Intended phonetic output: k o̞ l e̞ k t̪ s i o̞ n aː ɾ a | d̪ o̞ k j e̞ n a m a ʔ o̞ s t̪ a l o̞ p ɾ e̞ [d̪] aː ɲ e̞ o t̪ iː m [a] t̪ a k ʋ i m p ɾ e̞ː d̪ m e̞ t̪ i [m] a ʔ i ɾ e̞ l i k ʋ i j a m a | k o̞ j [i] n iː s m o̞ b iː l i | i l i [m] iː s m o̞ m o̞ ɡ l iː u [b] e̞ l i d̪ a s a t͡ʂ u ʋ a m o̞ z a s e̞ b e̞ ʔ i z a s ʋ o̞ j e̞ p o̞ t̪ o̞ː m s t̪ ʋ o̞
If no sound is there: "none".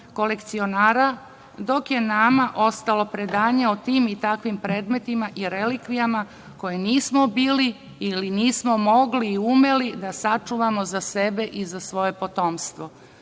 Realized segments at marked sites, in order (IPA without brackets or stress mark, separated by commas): d̪, i, m, e, n, m